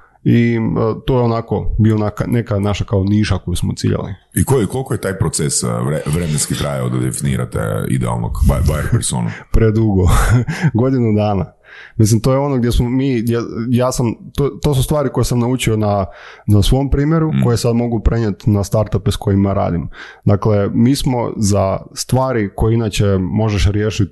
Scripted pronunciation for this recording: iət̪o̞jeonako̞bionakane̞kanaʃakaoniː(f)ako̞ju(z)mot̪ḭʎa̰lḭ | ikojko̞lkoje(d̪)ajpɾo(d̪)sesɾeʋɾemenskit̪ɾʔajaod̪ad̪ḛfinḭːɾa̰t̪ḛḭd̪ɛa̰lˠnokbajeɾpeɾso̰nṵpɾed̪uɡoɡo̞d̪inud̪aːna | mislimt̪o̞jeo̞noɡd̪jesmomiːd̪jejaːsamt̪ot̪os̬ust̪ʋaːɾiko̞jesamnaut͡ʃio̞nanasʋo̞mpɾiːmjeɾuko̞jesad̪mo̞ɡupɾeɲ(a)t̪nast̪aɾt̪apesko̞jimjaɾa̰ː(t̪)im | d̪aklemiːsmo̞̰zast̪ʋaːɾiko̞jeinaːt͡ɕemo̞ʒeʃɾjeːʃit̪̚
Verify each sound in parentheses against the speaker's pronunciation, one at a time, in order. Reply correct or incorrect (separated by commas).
incorrect, incorrect, incorrect, incorrect, incorrect, incorrect